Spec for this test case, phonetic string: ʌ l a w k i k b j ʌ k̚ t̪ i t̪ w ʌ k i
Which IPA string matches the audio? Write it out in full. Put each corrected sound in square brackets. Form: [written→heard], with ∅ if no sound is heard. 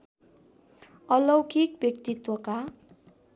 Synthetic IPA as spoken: ʌ l [a→ʌ] w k i k b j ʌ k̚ t̪ i t̪ w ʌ k [i→a]